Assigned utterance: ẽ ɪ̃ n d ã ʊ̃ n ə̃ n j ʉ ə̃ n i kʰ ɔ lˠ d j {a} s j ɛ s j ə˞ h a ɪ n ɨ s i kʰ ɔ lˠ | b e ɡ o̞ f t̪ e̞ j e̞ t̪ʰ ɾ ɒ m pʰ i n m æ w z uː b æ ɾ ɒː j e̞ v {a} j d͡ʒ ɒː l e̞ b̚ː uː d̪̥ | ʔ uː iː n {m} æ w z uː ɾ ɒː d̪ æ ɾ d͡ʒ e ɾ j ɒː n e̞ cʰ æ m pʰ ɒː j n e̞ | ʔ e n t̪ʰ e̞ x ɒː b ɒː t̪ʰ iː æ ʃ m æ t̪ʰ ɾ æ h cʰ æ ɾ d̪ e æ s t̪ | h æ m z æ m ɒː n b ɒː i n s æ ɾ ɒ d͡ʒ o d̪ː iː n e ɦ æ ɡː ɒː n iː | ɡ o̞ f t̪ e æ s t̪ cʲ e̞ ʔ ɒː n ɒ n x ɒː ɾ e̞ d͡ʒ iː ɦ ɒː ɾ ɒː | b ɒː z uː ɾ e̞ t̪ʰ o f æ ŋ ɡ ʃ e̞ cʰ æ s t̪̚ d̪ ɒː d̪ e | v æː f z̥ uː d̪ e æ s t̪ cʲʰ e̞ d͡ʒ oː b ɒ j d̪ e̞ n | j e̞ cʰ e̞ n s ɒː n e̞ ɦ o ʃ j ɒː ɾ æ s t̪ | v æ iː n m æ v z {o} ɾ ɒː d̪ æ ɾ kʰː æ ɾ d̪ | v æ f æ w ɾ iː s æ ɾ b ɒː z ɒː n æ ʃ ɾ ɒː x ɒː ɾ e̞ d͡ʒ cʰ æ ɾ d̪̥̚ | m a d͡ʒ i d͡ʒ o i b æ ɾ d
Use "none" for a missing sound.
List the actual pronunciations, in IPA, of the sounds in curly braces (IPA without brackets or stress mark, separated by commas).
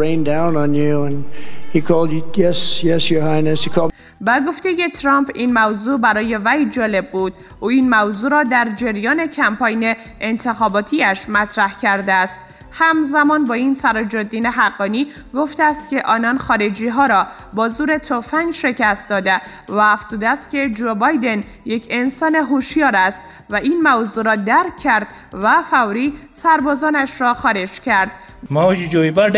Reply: ɛ, æ, m, u